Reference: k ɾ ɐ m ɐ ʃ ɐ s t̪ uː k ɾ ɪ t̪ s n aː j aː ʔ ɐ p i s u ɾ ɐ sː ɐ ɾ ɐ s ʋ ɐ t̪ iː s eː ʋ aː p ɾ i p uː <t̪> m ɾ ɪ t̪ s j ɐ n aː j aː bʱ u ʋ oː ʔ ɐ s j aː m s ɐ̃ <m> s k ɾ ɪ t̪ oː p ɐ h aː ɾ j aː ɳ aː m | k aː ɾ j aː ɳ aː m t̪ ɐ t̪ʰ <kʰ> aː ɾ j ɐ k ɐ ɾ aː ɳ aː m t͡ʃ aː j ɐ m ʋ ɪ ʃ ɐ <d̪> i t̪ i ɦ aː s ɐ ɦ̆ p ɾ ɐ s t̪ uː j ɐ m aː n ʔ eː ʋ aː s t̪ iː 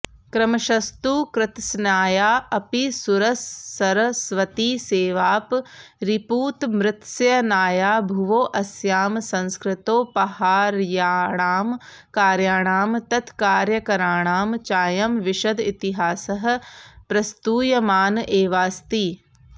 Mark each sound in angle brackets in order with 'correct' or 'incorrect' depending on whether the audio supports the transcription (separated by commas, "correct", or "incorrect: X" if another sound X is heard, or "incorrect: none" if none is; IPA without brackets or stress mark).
correct, incorrect: n, incorrect: k, correct